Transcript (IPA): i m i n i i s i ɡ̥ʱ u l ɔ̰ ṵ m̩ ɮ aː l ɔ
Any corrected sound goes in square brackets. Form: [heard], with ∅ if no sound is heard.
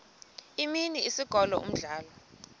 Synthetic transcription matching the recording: i m i n i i s i ɡ̥ʱ [ɔ] l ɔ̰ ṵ m̩ ɮ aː l ɔ